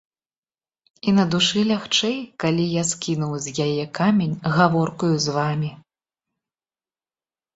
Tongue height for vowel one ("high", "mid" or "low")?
high